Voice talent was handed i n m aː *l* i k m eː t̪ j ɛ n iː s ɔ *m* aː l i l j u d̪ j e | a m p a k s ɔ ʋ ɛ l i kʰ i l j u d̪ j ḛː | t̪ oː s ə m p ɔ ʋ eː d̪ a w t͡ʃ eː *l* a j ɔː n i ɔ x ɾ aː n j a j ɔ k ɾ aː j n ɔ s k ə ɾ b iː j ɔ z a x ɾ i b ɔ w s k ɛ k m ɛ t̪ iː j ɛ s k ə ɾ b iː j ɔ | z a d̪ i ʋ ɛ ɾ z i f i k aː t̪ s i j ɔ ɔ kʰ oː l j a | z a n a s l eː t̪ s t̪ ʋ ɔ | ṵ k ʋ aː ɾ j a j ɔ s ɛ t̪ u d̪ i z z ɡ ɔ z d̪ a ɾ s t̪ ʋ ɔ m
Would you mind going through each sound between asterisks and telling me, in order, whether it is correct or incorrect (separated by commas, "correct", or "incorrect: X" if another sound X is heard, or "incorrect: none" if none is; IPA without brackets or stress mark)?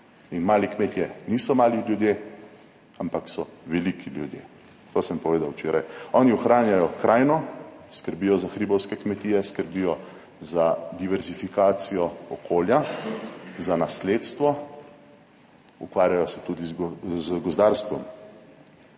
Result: correct, correct, incorrect: ɾ